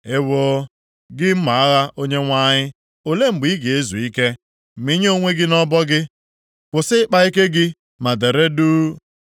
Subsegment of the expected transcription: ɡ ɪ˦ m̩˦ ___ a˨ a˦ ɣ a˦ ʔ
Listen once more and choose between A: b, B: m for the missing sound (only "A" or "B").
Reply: B